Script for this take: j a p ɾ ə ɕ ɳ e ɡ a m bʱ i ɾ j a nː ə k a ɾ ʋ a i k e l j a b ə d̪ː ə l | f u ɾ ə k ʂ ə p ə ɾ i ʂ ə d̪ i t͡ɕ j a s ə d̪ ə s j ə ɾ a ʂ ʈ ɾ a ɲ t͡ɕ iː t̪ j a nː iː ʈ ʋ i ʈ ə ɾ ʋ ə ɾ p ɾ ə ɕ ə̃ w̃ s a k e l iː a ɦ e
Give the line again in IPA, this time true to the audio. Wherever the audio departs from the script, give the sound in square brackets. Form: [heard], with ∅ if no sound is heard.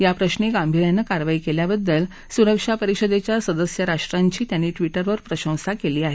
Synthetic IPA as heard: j a p ɾ ə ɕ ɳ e ɡ a m bʱ i ɾ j a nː ə k a ɾ ʋ a i k e l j a b ə d̪ː ə l | [s] u ɾ ə k ʂ [a] p ə ɾ i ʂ ə d̪ [e] t͡ɕ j a s ə d̪ ə s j ə ɾ a ʂ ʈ ɾ a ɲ t͡ɕ iː t̪ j a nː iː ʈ ʋ i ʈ ə ɾ ʋ ə ɾ p ɾ ə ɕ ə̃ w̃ s a k e l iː a ɦ e